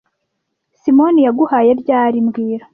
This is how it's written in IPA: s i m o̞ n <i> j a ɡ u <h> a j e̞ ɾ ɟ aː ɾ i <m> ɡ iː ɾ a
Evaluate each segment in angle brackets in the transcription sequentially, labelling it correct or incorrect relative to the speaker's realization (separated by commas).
correct, correct, correct